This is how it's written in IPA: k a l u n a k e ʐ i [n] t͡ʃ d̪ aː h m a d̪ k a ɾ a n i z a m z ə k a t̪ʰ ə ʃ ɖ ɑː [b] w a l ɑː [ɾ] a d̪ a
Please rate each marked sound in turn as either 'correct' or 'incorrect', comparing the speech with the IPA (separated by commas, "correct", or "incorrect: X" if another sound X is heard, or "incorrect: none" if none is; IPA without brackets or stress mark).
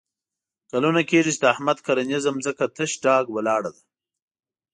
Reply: incorrect: none, incorrect: ɡ, incorrect: ɽ